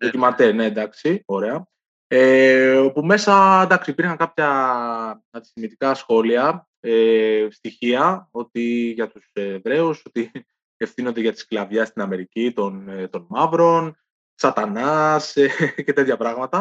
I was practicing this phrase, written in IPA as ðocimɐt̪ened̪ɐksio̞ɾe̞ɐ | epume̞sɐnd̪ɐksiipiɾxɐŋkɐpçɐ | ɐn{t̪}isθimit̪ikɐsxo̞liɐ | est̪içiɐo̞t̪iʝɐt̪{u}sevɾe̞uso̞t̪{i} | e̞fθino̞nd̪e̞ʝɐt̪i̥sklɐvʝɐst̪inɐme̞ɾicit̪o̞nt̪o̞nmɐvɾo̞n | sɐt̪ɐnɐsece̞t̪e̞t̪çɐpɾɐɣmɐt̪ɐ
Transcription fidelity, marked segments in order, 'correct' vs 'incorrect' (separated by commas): incorrect, correct, correct